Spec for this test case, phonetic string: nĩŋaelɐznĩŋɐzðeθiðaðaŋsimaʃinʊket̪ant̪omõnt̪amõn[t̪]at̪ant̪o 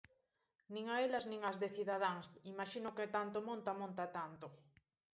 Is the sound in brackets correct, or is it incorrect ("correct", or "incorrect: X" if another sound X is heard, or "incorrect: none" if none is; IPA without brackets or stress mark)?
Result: correct